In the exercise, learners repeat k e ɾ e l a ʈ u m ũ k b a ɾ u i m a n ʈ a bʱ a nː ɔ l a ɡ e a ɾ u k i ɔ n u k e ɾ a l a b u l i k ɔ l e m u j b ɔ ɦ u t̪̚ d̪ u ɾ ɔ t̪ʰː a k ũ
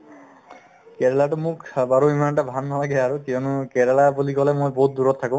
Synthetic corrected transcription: k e ɾ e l a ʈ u m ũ k b a ɾ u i m a n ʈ a bʱ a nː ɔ l a ɡ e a ɾ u k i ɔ n u k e ɾ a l a b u l i k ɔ l e m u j b ɔ ɦ u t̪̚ d̪ u ɾ ɔ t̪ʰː a k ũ